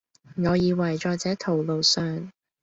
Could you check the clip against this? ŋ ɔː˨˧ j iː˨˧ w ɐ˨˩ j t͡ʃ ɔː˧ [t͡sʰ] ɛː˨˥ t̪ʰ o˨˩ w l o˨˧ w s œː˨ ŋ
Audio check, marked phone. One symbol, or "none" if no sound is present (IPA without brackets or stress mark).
t͡s